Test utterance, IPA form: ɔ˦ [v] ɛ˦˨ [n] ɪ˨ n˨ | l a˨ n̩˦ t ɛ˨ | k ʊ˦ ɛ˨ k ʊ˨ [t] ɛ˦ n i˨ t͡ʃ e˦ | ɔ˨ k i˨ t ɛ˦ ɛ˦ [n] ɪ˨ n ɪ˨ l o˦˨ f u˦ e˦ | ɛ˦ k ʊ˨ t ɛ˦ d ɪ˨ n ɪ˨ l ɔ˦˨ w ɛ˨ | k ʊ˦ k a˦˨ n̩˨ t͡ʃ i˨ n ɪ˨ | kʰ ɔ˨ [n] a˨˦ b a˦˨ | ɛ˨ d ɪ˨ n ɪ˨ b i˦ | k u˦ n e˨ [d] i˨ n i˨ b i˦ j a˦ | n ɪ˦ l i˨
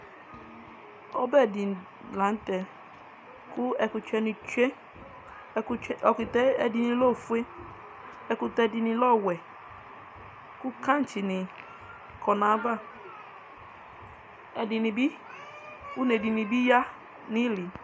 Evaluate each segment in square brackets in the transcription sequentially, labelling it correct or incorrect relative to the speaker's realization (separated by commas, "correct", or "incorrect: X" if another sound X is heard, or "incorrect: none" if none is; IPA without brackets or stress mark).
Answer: incorrect: b, incorrect: d, incorrect: t͡ʃ, incorrect: d, correct, correct